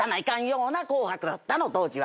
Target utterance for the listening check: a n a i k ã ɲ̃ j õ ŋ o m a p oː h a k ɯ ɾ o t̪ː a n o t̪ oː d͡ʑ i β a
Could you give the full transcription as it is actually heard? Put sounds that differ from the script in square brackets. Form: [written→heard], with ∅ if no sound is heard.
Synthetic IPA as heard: a n a i k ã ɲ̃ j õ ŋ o [m→n] a [p→k] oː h a k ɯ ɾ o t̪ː a n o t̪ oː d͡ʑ i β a